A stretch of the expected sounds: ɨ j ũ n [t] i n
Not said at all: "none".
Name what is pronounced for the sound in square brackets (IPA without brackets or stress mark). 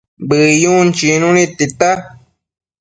t͡ʃ